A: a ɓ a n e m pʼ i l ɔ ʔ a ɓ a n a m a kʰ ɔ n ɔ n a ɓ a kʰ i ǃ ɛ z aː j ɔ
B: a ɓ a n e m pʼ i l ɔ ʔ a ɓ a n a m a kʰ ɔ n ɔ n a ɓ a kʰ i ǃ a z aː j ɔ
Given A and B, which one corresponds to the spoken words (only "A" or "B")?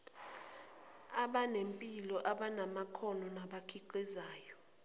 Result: A